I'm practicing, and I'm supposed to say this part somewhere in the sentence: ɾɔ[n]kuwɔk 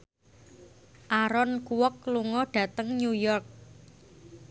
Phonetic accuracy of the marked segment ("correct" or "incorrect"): correct